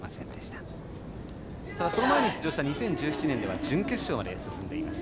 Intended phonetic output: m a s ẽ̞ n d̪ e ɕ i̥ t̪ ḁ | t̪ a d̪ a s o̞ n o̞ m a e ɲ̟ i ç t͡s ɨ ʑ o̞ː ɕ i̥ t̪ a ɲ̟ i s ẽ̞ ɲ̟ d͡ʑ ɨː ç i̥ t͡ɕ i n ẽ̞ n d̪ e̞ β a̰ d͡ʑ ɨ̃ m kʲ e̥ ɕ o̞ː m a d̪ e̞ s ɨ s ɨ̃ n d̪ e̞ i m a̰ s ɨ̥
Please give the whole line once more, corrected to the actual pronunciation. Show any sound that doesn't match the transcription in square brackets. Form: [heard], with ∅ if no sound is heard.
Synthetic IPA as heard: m a s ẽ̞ n d̪ e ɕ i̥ t̪ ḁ | t̪ a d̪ a s o̞ n o̞ m a e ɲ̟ i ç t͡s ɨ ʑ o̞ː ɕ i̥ t̪ a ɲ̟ i s ẽ̞ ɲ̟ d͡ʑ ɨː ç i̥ t͡ɕ i n ẽ̞ n d̪ e̞ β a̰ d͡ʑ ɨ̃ [ŋ] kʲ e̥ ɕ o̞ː m a d̪ e̞ s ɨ s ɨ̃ n d̪ e̞ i m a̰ s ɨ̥